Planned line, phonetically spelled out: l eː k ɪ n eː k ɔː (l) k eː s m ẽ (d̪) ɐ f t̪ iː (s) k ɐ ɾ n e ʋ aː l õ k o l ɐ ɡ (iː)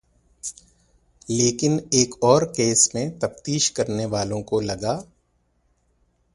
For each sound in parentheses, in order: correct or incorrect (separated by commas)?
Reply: incorrect, incorrect, incorrect, incorrect